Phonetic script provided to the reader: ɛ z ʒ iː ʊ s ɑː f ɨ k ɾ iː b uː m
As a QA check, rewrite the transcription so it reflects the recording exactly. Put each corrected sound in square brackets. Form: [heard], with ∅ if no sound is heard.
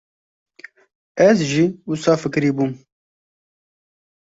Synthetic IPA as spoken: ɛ z ʒ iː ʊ s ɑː f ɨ k ɾ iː b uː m